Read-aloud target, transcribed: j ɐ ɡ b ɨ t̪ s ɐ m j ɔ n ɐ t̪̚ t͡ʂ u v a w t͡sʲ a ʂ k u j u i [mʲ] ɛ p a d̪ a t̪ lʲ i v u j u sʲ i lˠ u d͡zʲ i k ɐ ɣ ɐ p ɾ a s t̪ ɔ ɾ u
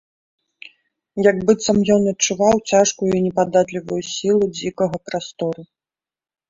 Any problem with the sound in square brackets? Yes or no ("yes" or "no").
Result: yes